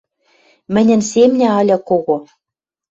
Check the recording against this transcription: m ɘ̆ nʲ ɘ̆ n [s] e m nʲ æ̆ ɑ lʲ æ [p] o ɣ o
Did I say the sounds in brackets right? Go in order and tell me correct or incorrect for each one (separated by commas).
correct, incorrect